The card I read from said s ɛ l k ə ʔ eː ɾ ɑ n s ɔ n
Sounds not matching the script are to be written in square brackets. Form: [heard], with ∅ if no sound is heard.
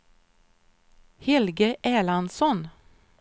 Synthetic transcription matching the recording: [h] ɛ l [ɡ] ə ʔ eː [l] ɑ n s ɔ n